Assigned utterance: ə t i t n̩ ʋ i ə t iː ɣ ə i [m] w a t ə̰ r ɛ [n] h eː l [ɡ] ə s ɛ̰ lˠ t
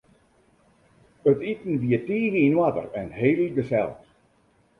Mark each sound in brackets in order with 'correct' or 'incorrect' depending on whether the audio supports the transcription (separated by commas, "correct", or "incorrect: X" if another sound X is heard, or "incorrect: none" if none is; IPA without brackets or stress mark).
incorrect: n, correct, correct